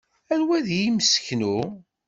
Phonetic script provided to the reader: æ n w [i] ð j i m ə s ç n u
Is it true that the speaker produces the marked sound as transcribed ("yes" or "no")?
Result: no